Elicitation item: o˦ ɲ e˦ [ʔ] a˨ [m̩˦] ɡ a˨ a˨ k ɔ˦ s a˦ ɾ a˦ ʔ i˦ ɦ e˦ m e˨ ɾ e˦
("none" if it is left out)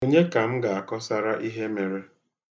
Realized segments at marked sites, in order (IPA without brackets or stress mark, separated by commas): k, m̩˦